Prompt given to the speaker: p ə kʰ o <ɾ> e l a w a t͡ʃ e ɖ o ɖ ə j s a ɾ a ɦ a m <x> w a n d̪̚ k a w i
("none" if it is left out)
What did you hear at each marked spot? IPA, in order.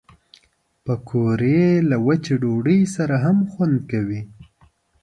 ɾ, x

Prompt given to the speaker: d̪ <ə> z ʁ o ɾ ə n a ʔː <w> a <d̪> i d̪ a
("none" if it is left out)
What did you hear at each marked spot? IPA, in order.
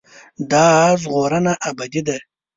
ɑ, b, d̪

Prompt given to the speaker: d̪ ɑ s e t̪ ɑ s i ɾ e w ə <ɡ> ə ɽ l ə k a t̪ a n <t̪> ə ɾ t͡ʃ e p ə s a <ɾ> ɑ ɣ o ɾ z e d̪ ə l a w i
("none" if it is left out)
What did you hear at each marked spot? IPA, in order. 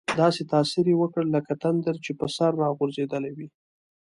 k, d̪, ɾː

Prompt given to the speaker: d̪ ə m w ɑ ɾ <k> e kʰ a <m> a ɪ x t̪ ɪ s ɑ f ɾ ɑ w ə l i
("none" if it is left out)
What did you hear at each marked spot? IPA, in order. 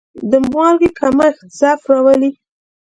ɡ, m

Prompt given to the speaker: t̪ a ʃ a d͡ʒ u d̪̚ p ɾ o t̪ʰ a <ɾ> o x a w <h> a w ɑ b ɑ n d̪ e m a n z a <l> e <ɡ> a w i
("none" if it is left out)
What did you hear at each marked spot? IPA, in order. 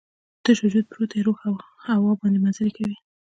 ɾ, h, l, k

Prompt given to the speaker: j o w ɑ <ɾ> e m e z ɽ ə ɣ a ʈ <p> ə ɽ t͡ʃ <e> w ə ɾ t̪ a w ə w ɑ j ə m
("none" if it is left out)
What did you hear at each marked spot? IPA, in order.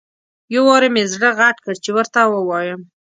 ɾ, k, e

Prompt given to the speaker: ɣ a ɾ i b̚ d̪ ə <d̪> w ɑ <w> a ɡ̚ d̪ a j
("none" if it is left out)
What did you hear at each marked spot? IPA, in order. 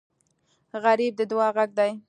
d̪, ɣ

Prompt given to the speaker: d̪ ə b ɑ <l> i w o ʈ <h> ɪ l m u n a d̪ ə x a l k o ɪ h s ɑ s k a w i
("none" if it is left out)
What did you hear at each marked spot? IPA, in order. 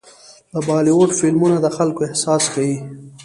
l, f

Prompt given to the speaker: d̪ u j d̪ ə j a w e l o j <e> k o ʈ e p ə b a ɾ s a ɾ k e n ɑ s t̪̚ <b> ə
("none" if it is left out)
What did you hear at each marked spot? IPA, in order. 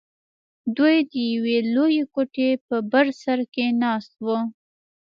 e, w

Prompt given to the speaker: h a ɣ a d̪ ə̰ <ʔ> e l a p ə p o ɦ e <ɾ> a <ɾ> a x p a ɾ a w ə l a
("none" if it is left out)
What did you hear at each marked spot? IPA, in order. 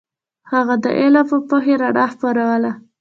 ʔ, ɾ, ɽ

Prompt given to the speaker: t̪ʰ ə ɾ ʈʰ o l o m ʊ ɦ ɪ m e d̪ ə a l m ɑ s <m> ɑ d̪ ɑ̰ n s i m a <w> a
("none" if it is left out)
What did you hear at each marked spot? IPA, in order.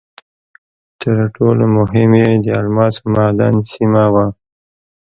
m, w

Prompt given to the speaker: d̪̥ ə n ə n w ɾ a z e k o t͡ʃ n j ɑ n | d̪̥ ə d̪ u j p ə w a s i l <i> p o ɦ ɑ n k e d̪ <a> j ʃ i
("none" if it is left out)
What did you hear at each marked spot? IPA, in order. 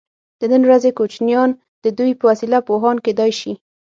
a, ɑ

